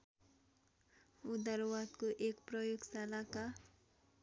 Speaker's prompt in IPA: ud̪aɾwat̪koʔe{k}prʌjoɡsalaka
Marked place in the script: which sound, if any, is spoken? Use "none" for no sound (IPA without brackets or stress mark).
k